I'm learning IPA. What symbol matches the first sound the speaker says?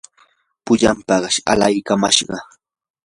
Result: p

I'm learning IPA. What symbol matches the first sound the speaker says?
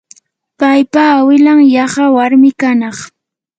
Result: p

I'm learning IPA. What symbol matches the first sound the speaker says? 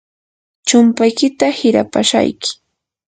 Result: t͡ʃ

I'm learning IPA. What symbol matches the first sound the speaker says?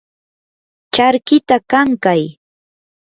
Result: t͡ʃ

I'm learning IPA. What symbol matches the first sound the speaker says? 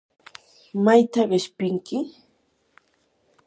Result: m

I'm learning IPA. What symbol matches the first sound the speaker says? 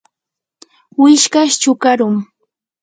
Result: w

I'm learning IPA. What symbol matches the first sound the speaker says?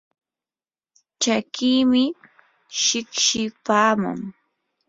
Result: t͡ʃ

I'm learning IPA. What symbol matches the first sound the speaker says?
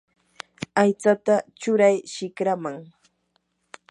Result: a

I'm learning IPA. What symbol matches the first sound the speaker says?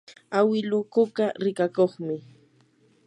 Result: a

